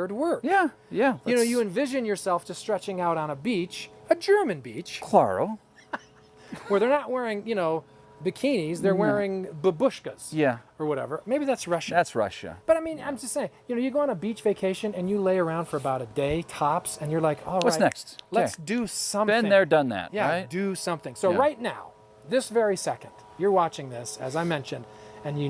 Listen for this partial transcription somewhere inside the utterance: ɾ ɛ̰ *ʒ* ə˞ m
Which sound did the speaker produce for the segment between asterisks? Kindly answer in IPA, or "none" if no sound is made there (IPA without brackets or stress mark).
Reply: v